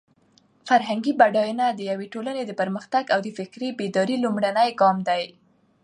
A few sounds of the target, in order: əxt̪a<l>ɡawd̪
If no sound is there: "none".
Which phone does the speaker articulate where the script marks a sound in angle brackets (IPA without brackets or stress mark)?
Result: none